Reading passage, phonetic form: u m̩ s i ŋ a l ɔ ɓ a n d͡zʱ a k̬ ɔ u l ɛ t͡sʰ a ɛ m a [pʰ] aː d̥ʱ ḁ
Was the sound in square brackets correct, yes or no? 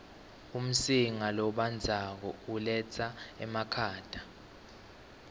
no